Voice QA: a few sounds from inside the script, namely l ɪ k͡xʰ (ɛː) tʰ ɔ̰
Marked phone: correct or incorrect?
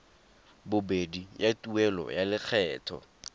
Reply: correct